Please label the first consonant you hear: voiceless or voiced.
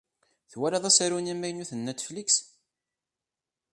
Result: voiceless